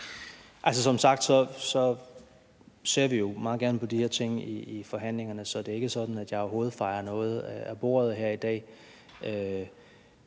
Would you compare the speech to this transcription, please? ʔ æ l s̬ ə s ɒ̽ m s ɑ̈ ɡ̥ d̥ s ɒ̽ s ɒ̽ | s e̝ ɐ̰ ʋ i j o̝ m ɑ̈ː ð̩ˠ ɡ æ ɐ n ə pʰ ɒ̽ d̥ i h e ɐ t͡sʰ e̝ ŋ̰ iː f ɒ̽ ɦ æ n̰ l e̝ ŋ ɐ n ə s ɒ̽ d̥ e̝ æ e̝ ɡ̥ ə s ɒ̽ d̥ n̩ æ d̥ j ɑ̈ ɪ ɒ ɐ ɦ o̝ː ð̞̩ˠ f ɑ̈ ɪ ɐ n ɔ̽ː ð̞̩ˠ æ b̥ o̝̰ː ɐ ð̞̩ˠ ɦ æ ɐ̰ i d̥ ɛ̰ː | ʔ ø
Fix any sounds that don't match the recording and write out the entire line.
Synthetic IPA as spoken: ʔ æ l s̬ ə s ɒ̽ m s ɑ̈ ɡ̥ d̥ s ɒ̽ s ɒ̽ | s e̝ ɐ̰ ʋ i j o̝ m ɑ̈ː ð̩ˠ ɡ æ ɐ n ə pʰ ɒ̽ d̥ i h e ɐ t͡sʰ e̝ ŋ̰ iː f ɒ̽ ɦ æ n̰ l e̝ ŋ ɐ n ə s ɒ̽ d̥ e̝ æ e̝ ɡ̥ ə s ɒ̽ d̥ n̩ æ d̥ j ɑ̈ ɪ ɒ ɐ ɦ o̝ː ð̞̩ˠ f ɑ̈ ɪ ɐ n ɔ̽ː ð̞̩ˠ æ b̥ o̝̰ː ɐ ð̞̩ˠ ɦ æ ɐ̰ i d̥ ɛ̰ː | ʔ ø

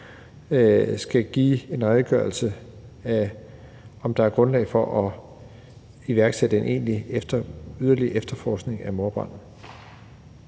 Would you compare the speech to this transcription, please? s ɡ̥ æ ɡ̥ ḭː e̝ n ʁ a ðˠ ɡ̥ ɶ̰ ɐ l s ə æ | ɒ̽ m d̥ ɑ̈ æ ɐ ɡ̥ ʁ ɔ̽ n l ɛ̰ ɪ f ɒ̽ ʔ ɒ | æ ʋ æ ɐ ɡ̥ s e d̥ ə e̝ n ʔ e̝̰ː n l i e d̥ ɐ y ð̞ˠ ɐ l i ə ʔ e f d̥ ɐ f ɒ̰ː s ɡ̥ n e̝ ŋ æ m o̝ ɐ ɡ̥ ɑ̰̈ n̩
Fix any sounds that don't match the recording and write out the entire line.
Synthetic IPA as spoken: s ɡ̥ æ ɡ̥ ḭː e̝ n ʁ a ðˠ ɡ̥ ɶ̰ ɐ l s ə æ | ɒ̽ m d̥ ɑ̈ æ ɐ ɡ̥ ʁ ɔ̽ n l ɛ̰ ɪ f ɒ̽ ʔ ɒ | i ʋ æ ɐ ɡ̥ s e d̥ ə e̝ n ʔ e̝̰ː n l i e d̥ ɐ y ð̞ˠ ɐ l i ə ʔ e f d̥ ɐ f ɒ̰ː s ɡ̥ n e̝ ŋ æ m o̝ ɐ b̥ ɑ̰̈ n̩

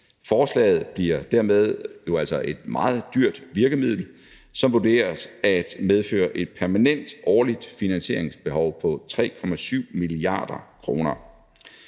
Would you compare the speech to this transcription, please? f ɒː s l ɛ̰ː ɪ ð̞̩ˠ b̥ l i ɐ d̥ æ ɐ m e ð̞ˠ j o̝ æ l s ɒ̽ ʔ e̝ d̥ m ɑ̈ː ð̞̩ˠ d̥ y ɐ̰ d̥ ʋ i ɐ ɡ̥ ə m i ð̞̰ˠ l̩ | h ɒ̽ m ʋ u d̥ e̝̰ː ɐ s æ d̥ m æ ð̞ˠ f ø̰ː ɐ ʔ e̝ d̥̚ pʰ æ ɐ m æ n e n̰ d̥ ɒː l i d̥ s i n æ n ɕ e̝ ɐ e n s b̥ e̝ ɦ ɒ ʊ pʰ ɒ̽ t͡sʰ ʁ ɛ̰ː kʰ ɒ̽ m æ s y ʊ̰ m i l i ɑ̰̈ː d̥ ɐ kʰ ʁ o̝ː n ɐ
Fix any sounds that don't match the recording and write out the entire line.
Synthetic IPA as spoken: f ɒː s l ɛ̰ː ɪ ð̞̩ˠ b̥ l i ɐ d̥ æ ɐ m e ð̞ˠ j o̝ æ l s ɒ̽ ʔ e̝ d̥ m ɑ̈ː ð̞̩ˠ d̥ y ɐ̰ d̥ ʋ i ɐ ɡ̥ ə m i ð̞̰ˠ l̩ | s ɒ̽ m ʋ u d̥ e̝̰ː ɐ s æ d̥ m e ð̞ˠ f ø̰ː ɐ ʔ e̝ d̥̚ pʰ æ ɐ m æ n e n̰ d̥ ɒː l i d̥ f i n æ n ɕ e̝ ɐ e ŋ s b̥ e̝ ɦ ɒ ʊ pʰ ɒ̽ t͡sʰ ʁ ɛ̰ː kʰ ɒ̽ m æ s y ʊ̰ m i l i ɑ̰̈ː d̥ ɐ kʰ ʁ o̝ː n ɐ

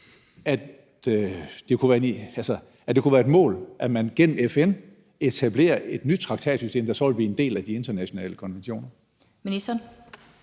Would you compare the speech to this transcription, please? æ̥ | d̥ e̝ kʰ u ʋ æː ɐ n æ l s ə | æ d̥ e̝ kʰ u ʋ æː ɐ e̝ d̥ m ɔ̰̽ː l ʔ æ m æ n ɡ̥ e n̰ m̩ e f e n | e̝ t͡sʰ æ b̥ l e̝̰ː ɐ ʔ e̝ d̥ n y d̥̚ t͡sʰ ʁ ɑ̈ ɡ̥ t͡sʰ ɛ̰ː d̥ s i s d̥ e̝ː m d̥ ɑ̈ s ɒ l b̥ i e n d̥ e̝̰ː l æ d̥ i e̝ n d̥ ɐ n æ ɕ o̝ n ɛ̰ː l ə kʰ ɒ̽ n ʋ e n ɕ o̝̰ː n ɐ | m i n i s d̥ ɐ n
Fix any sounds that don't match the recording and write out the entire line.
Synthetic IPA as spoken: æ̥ | d̥ e̝ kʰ u ʋ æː ɐ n æ l s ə | æ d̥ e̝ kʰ u ʋ æː ɐ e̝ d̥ m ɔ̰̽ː l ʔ æ m æ n ɡ̥ e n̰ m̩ e f e n | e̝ t͡sʰ æ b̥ l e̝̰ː ɐ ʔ e̝ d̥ n y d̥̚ t͡sʰ ʁ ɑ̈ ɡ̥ t͡sʰ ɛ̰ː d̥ s y s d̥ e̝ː m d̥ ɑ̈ s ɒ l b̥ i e n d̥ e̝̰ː l æ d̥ i e̝ n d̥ ɐ n æ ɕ o̝ n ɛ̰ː l ə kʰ ɒ̽ n ʋ e n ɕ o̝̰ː n ɐ | m i n i s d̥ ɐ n

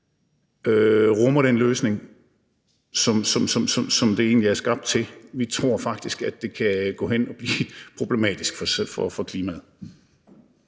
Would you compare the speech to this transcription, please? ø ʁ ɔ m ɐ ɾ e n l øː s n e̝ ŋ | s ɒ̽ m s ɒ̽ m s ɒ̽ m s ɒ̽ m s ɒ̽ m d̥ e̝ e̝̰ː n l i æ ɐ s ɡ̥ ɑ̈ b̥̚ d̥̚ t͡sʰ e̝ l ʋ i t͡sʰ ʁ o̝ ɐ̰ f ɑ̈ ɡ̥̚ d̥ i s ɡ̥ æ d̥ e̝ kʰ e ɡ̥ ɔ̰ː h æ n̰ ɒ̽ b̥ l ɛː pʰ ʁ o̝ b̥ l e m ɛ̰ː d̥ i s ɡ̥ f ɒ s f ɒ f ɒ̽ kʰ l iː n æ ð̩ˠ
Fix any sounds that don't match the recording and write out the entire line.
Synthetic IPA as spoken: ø ʁ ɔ m ɐ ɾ e n l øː s n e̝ ŋ | s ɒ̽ m s ɒ̽ m s ɒ̽ m s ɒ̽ m s ɒ̽ m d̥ e̝ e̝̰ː n l i æ ɐ s ɡ̥ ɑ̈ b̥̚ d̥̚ t͡sʰ e̝ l ʋ i t͡sʰ ʁ o̝ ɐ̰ f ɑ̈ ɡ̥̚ d̥ i s ɡ̥ æ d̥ e̝ kʰ æ ɡ̥ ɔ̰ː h e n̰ ɒ̽ b̥ l iː pʰ ʁ o̝ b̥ l e m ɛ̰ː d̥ i s ɡ̥ f ɒ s f ɒ f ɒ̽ kʰ l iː m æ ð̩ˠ

